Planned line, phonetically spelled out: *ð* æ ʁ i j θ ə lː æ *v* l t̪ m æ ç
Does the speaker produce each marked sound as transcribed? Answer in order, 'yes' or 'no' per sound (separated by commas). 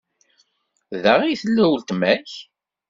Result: yes, no